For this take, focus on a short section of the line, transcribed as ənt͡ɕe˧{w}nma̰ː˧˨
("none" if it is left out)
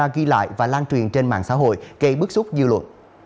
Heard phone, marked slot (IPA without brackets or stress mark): none